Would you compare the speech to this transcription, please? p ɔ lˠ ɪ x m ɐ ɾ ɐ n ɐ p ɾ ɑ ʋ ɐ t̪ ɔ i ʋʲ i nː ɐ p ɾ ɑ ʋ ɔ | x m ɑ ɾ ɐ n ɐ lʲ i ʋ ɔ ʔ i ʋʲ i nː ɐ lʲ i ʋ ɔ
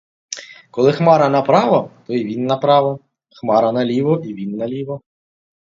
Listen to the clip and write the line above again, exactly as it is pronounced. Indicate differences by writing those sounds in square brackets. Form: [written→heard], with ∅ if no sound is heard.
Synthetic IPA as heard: [p→k] ɔ lˠ ɪ x m [ɐ→ɑ] ɾ ɐ n ɐ p ɾ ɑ ʋ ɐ t̪ ɔ i ʋʲ i nː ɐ p ɾ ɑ ʋ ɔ | x m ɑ ɾ ɐ n ɐ lʲ i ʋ ɔ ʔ i ʋʲ i nː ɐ lʲ i ʋ ɔ